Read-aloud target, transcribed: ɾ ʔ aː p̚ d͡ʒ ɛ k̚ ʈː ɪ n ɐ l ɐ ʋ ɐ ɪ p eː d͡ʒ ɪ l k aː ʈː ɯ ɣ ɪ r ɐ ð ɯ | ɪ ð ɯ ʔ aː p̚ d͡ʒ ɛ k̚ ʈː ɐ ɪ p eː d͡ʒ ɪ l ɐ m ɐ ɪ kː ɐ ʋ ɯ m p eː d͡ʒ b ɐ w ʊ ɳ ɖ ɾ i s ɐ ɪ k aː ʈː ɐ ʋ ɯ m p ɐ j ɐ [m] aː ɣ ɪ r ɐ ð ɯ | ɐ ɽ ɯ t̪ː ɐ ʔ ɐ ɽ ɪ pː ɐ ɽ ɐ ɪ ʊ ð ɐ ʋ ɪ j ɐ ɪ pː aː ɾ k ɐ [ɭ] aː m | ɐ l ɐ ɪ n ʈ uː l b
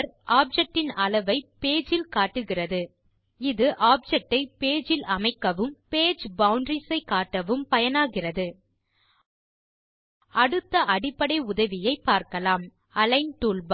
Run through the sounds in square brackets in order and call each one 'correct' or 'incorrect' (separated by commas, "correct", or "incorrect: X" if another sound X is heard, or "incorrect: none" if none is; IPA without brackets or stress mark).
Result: incorrect: n, incorrect: l